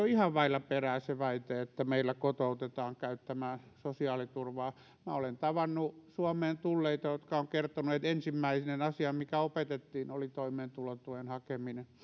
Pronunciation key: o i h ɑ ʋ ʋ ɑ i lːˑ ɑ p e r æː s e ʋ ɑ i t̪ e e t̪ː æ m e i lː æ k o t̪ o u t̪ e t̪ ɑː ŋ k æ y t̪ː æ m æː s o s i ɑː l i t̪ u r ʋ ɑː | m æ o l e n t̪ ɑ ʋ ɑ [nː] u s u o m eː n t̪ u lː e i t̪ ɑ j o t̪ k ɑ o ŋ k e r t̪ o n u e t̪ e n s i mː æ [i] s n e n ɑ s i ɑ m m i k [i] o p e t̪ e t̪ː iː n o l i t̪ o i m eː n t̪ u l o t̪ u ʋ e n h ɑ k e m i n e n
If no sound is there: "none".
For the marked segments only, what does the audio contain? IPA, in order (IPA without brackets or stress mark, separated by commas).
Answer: nː, i, æ